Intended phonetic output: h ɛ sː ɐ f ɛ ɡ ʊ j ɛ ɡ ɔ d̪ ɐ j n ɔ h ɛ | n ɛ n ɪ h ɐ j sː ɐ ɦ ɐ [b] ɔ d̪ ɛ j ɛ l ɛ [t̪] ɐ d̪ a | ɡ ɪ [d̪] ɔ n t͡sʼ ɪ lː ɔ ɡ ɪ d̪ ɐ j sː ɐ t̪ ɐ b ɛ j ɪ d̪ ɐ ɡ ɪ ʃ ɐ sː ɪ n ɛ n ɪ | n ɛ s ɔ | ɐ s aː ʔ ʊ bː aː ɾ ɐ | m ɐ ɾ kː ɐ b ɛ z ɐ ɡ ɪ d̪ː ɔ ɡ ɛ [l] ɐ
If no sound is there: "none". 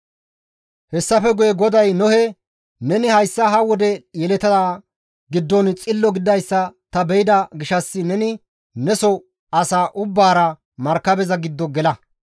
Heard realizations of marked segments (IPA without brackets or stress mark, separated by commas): w, t̪, d̪ː, l